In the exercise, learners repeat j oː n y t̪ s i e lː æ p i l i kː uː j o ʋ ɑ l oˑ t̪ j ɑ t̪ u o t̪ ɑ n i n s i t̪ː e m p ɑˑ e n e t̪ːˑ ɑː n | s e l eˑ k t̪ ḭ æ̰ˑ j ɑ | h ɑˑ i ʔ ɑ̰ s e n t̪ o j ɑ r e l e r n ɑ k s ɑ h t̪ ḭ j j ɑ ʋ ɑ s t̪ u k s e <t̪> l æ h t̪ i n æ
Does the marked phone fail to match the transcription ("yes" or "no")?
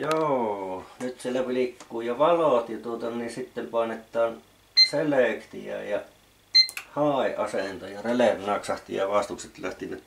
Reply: no